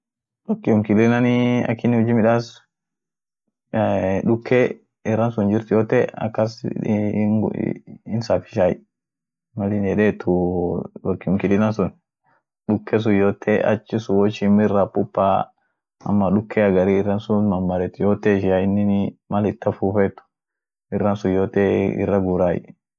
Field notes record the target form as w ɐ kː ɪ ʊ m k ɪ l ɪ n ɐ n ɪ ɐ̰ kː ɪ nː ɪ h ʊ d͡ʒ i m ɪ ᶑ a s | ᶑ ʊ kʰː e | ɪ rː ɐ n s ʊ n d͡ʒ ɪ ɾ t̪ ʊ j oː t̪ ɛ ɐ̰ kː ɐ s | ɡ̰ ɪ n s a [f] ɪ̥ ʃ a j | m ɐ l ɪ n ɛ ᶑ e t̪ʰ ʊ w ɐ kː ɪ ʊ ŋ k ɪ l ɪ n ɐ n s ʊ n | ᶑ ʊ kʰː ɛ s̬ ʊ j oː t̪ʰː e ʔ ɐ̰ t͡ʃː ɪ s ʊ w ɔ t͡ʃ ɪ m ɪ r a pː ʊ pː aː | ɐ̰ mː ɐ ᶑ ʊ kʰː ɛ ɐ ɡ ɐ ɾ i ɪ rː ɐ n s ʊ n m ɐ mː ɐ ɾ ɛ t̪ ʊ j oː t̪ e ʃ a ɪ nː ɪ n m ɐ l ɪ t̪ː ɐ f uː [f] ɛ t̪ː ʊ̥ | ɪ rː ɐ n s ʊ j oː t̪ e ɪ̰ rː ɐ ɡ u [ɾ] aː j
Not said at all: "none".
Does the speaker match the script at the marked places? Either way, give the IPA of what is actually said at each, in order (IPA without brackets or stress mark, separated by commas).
f, f, ɾ